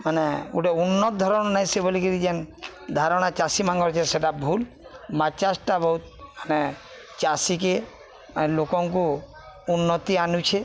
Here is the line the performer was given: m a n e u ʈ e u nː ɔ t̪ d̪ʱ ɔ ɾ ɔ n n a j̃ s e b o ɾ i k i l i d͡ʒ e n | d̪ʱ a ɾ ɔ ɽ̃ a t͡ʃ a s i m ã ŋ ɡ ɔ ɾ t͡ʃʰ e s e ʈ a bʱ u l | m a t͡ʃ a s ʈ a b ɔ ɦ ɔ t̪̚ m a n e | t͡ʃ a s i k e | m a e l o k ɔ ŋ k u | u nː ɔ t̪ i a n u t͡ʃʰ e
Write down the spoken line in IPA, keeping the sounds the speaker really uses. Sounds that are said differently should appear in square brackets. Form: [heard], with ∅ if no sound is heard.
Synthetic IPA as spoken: m a n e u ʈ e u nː ɔ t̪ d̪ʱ ɔ ɾ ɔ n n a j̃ s e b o [l] i k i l i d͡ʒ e n | d̪ʱ a ɾ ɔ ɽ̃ a t͡ʃ a s i m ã ŋ ɡ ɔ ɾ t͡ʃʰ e s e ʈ a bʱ u l | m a t͡ʃ a s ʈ a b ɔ ɦ [u] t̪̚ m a n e | t͡ʃ a s i k e | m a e l o k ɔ ŋ k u | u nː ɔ t̪ i a n u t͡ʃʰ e